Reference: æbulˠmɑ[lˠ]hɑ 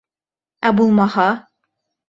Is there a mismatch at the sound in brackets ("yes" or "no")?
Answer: yes